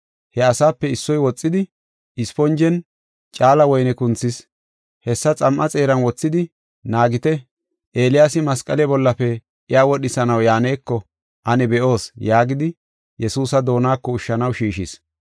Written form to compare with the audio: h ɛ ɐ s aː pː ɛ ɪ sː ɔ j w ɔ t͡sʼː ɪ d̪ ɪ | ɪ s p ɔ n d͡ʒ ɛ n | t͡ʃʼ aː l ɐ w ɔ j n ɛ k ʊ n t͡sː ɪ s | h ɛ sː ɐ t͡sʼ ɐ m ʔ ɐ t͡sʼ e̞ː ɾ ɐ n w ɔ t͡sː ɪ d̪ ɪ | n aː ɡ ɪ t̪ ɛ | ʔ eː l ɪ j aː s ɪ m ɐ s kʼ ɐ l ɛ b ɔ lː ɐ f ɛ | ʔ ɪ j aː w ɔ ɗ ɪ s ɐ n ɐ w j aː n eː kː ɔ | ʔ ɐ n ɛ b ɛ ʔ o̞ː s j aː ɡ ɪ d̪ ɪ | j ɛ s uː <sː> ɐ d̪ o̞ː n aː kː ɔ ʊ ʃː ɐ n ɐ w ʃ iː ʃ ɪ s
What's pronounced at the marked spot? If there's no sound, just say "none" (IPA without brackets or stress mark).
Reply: s